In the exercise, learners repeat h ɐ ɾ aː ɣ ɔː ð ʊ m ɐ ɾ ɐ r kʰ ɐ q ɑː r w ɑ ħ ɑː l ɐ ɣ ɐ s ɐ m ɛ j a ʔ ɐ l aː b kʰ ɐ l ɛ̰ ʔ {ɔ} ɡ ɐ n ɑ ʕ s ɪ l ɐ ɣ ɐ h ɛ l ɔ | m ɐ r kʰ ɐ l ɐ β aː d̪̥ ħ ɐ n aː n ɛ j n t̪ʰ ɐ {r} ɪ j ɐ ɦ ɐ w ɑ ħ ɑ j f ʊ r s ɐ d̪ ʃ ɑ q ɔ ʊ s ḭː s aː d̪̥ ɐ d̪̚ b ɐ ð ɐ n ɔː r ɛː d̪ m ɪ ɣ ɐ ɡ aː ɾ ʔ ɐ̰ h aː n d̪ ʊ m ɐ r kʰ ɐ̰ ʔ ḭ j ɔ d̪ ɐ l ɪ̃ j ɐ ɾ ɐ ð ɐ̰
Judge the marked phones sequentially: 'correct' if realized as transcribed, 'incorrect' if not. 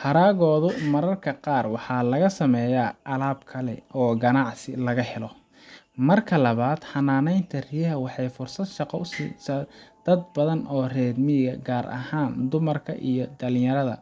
incorrect: ɔː, correct

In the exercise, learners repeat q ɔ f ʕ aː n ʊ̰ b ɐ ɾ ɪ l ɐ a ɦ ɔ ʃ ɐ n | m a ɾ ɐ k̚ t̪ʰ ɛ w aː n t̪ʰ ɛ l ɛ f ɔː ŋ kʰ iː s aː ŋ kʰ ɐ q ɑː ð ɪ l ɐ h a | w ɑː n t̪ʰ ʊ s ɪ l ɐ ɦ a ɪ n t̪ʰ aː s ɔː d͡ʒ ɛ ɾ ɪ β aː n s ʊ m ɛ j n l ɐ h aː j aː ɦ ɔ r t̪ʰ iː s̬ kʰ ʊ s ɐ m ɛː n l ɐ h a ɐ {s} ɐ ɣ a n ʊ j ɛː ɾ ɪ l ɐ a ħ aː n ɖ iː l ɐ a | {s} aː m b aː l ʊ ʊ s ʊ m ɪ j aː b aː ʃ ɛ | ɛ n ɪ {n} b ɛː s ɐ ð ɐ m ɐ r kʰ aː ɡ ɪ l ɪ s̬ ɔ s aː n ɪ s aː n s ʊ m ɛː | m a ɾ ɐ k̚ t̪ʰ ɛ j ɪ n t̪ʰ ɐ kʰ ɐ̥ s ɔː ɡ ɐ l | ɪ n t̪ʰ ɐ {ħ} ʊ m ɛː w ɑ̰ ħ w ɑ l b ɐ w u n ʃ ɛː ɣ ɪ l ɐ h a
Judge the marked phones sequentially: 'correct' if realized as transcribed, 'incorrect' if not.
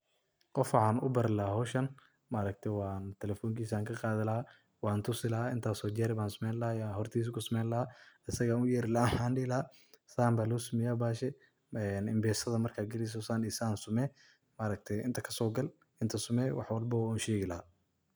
correct, correct, incorrect: m, incorrect: s

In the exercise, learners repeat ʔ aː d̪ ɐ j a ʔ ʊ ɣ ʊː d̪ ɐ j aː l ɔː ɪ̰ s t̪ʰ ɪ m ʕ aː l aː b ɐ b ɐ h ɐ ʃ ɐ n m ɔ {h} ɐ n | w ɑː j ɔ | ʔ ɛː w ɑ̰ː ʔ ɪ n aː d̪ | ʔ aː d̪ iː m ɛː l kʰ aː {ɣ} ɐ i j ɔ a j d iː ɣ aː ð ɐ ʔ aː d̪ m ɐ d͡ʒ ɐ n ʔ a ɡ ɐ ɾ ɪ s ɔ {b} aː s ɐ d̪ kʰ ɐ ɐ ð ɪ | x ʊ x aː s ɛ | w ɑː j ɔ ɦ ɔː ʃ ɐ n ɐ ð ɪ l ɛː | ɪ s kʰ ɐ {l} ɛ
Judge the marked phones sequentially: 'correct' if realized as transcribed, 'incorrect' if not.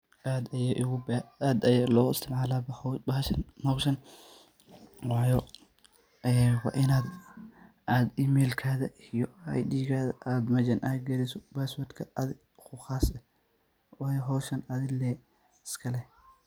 incorrect: ʃ, incorrect: ð, correct, correct

